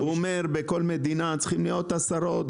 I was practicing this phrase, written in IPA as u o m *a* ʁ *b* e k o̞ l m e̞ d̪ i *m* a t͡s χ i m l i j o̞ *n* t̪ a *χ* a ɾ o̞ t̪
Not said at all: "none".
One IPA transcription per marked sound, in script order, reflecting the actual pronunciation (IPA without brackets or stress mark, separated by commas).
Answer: e, b, n, none, s